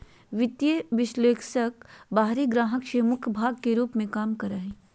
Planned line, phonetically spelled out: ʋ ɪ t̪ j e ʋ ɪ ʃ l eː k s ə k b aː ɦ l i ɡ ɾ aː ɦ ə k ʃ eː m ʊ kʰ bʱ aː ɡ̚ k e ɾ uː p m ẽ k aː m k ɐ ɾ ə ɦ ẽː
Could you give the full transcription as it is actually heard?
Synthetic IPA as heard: ʋ ɪ t̪ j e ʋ ɪ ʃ l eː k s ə k b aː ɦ ɾ i ɡ ɾ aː ɦ ə k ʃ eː m ʊ kʰ bʱ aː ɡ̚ k e ɾ uː p m ẽ k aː m k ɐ ɾ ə ɦ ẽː